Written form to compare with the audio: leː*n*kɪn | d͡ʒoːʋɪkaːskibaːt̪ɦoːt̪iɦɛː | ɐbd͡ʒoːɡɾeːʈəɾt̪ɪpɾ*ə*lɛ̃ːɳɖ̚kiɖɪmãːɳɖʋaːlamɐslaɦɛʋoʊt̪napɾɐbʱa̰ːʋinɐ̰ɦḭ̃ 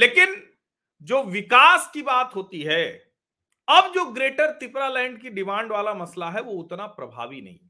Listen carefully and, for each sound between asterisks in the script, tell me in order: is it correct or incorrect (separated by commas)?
incorrect, incorrect